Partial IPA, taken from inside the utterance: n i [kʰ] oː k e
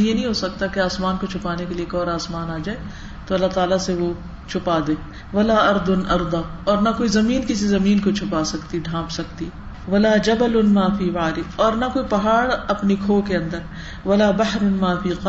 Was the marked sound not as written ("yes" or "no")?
no